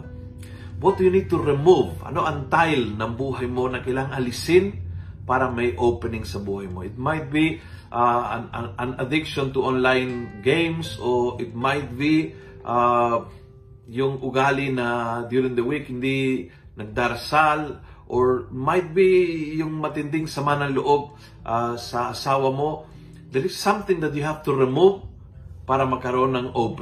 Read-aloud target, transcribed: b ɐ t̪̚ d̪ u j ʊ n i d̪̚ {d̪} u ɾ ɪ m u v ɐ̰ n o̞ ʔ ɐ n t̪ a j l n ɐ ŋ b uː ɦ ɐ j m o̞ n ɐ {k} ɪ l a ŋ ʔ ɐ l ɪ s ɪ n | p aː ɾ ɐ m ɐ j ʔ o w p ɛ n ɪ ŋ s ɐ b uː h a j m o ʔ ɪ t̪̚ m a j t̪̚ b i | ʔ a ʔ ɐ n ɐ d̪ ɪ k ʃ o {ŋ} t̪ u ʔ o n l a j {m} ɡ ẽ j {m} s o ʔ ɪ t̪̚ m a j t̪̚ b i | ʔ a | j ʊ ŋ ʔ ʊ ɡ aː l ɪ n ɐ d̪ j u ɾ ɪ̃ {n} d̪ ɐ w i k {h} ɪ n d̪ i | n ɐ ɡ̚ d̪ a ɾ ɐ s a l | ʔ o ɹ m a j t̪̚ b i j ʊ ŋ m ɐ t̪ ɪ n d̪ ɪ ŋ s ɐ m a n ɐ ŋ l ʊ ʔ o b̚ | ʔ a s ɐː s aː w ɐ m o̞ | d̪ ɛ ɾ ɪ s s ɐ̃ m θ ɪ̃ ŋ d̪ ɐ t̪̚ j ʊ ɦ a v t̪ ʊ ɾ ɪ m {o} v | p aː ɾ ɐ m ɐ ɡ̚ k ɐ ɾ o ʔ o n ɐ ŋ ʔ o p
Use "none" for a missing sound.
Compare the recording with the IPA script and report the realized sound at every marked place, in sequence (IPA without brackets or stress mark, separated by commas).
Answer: t̪, k, n, n, m, ŋ, h, u